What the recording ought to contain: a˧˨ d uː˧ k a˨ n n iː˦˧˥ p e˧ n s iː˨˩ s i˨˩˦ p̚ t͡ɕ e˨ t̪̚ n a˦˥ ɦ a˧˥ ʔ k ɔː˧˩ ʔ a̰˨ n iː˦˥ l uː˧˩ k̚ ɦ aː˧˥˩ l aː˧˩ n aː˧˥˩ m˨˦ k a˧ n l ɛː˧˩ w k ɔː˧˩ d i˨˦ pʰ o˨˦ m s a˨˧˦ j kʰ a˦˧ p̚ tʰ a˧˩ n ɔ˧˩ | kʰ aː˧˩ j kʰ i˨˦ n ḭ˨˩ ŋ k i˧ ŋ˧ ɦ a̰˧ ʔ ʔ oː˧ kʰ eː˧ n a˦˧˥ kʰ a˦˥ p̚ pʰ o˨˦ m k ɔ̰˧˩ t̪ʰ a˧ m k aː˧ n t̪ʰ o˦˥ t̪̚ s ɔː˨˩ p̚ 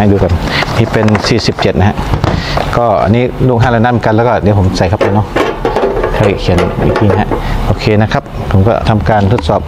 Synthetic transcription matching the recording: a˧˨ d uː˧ k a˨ n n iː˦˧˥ p e˧ n s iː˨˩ s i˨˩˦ p̚ t͡ɕ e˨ t̪̚ n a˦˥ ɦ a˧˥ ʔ k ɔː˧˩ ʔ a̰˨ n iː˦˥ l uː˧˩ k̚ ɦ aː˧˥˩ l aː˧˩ n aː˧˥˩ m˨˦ k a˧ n l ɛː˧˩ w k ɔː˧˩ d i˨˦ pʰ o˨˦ m s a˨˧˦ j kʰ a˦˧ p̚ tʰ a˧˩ n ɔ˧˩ | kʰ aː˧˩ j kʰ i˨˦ n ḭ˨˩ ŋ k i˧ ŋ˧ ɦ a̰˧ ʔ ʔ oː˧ kʰ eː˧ n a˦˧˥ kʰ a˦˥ p̚ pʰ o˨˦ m k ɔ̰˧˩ t̪ʰ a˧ m k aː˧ n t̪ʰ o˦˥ t̪̚ s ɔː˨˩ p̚